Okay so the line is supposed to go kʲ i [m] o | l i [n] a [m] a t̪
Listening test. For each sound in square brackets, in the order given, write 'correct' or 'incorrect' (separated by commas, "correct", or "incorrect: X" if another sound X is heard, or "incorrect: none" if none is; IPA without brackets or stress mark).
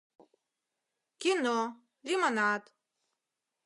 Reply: incorrect: n, incorrect: m, incorrect: n